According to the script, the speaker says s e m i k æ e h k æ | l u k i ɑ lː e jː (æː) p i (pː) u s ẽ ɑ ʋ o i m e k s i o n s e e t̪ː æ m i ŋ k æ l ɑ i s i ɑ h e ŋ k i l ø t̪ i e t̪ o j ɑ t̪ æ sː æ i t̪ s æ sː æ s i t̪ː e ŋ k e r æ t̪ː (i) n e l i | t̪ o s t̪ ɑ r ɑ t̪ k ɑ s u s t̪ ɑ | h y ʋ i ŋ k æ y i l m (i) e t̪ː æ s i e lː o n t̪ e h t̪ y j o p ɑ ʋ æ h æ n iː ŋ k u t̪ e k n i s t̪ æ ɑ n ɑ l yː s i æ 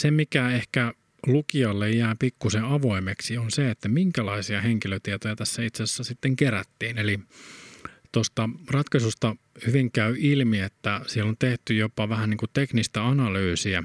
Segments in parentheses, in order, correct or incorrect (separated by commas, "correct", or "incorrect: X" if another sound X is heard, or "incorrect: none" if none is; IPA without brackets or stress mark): correct, incorrect: kː, incorrect: iː, correct